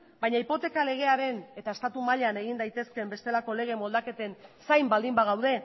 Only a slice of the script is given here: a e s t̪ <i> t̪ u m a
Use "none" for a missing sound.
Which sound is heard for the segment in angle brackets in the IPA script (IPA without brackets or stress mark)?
a